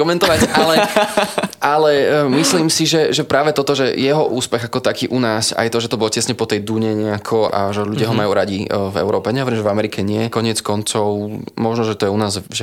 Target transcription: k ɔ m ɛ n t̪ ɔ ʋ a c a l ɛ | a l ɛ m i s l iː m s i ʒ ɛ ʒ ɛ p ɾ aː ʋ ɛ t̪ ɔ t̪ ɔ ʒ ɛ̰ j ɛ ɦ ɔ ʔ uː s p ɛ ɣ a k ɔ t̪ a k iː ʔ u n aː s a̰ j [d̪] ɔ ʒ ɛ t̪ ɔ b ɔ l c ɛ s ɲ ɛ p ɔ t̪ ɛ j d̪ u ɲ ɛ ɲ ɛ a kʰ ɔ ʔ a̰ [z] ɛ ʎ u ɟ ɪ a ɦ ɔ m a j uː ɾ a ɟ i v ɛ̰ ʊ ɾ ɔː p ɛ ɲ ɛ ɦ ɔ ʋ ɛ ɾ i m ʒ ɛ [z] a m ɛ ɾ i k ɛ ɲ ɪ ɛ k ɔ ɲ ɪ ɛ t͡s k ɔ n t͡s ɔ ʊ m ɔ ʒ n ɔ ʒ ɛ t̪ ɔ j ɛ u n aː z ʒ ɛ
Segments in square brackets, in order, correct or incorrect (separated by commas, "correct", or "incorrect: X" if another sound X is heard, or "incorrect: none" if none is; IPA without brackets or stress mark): incorrect: t̪, incorrect: ʒ, incorrect: v